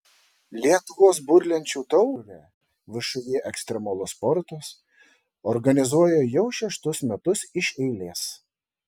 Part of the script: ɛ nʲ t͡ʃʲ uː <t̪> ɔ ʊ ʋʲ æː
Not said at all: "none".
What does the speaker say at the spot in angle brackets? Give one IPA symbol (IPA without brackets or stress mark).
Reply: t̪